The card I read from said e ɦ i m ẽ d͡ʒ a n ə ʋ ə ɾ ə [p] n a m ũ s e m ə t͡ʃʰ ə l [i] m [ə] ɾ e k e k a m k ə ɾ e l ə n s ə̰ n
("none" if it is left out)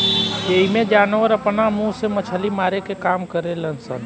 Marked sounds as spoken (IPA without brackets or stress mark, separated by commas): p, i, a